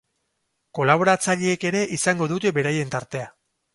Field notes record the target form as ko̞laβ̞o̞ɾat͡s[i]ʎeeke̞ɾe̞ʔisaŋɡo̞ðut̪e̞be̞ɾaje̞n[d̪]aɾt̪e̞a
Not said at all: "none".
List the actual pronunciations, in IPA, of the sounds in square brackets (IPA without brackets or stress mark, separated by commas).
a, t̪